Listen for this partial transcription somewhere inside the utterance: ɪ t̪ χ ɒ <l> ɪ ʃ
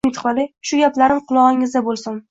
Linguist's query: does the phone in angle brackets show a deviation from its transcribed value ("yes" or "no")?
no